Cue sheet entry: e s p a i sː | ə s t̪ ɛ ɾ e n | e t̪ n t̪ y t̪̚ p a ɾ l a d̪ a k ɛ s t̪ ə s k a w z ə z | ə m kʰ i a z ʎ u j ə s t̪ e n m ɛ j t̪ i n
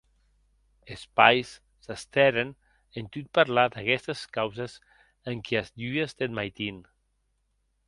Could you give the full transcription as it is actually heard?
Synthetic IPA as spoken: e s p a j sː | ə s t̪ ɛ ɾ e n | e n t̪ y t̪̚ p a ɾ l a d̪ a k ɛ s t̪ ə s k a w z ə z | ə ŋ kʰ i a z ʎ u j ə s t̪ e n m a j t̪ i n